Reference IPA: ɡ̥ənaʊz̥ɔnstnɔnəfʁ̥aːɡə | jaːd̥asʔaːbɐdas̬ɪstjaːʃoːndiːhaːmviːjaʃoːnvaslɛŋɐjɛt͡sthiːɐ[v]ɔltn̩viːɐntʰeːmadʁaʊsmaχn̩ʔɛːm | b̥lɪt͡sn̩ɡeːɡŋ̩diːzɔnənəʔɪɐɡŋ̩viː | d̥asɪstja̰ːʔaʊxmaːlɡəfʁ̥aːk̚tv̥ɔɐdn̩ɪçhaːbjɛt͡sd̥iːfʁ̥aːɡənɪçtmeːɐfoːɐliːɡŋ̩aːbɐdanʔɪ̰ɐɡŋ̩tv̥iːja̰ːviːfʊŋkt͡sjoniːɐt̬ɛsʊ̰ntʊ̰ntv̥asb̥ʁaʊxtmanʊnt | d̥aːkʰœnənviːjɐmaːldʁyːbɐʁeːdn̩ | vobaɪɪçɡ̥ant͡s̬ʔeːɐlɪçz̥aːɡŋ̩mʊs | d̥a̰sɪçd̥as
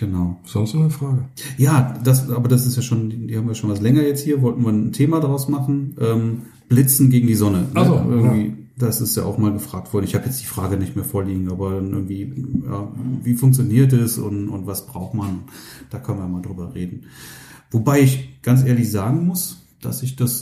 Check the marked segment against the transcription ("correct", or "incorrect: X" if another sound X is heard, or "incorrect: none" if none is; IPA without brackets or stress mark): correct